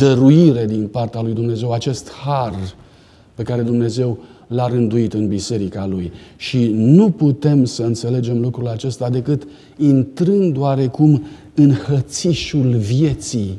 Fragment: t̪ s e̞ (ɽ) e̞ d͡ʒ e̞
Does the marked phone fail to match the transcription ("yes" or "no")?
yes